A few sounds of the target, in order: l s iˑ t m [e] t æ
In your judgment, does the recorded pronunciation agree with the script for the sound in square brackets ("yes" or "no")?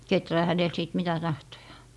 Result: no